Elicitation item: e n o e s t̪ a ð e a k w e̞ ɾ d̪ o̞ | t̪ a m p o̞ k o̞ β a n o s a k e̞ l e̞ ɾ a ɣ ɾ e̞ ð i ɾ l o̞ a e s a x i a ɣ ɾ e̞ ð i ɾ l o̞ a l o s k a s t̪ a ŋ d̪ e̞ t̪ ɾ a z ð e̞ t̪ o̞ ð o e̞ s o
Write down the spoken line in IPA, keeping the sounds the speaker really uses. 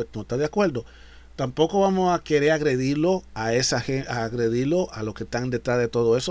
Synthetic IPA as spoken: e n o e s t̪ a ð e a k w e̞ ɾ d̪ o̞ | t̪ a m p o̞ k o̞ β a m o s a k e̞ ɾ e̞ ɾ a ɣ ɾ e̞ ð i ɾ l o̞ a e s a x e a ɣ ɾ e̞ ð i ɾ l o̞ a l o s k e s t̪ a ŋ d̪ e̞ t̪ ɾ a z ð e̞ t̪ o̞ ð o e̞ s o